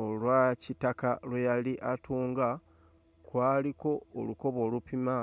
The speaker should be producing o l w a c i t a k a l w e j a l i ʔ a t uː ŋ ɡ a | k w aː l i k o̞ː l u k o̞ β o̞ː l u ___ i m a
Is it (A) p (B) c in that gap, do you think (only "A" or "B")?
A